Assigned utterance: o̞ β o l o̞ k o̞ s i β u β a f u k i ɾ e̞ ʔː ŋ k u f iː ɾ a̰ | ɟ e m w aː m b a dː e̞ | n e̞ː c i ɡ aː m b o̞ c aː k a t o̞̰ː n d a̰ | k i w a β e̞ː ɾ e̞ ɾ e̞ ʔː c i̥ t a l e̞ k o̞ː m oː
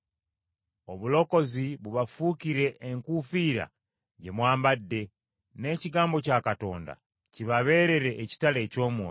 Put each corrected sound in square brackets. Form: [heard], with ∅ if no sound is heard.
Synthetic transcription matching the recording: o̞ β [u] l o̞ k o̞ [z] i β u β a f u k i ɾ e̞ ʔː ŋ k u f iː ɾ a̰ | ɟ e m w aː m b a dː e̞ | n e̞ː c i ɡ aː m b o̞ c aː k a t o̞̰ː n d a̰ | [c] i [β] a β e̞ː ɾ e̞ ɾ e̞ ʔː c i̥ t a l e̞ [c] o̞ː m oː